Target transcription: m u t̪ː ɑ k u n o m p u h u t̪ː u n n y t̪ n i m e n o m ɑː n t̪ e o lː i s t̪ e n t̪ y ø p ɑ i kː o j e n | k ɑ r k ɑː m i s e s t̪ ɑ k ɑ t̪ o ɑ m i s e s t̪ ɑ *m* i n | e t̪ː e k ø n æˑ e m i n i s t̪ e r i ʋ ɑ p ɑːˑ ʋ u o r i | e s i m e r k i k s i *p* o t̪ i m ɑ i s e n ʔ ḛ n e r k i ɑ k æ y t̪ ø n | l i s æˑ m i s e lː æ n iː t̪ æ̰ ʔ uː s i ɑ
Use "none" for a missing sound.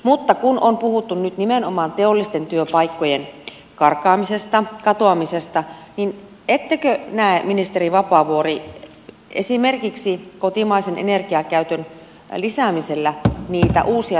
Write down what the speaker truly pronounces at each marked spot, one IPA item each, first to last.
n, k

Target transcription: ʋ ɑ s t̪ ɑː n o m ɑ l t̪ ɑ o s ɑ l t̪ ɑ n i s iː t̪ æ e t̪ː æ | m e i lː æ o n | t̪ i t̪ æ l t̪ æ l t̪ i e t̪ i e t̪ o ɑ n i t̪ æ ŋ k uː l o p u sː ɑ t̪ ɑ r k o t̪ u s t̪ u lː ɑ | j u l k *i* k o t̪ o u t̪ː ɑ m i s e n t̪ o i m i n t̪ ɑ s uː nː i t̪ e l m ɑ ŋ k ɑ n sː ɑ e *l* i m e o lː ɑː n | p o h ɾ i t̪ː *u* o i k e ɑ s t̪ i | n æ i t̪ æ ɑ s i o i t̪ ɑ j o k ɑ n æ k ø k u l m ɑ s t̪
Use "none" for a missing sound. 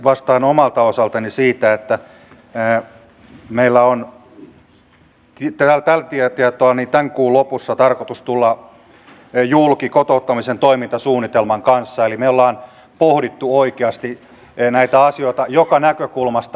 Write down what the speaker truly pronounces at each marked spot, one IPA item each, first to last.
i, l, u

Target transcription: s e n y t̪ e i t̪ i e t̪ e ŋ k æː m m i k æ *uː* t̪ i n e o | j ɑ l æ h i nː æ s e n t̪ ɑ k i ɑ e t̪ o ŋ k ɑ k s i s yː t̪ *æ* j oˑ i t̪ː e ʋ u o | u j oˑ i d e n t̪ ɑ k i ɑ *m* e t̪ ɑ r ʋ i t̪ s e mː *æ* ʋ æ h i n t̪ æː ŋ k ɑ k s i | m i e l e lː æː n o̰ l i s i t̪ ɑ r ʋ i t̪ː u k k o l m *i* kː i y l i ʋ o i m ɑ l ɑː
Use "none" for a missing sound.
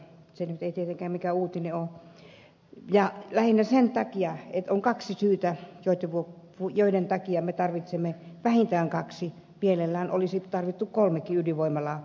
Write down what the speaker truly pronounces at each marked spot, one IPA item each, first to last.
uː, æ, m, e, e

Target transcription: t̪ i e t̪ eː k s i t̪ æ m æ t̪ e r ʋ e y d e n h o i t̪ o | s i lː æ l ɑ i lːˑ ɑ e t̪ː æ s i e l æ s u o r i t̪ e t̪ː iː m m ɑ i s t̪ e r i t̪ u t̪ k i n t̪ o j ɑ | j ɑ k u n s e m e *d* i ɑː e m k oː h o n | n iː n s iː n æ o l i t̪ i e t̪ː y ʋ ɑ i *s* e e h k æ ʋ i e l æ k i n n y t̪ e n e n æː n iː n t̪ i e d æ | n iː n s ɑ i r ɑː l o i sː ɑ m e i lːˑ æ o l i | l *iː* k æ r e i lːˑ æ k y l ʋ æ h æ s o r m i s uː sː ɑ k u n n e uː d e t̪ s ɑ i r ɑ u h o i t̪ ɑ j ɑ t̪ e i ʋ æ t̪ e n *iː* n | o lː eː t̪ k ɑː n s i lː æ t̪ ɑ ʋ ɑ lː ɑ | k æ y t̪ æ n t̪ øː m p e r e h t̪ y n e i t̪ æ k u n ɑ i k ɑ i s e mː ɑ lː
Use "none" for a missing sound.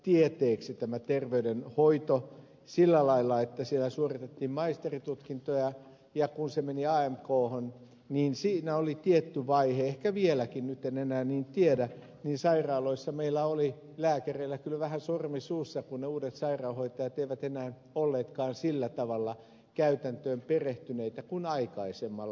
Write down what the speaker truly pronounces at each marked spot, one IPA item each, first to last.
n, h, æː, æː

